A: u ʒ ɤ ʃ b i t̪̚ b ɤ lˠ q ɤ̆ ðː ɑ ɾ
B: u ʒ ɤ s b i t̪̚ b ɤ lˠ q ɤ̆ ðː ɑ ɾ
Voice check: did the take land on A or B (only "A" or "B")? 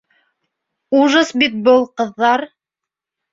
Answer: B